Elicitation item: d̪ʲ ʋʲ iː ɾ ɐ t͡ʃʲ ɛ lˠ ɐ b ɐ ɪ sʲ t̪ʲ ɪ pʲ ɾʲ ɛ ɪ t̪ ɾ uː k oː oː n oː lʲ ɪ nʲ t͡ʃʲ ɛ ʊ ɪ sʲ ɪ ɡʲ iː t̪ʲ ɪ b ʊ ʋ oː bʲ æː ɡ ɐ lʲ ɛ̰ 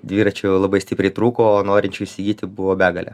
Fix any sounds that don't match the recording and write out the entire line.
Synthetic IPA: d̪ʲ ʋʲ iː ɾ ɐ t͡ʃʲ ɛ lˠ ɐ b ɐ ɪ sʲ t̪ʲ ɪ pʲ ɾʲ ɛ ɪ t̪ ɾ uː k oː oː n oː ɾʲ ɪ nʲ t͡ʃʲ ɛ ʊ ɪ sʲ ɪ ɡʲ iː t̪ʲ ɪ b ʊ ʋ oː bʲ æː ɡ ɐ lʲ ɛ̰